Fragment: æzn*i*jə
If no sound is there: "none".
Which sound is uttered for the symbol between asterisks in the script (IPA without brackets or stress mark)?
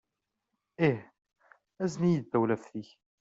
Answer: i